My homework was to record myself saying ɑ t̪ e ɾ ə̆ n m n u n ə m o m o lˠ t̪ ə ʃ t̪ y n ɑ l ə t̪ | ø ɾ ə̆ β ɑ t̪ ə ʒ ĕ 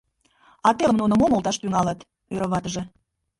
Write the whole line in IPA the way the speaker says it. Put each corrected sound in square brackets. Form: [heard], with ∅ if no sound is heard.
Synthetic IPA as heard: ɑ t̪ e [l] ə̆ [∅] m n u n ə m o m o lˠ t̪ [ɑ] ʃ t̪ y [ŋ] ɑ l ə t̪ | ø ɾ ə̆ β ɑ t̪ ə ʒ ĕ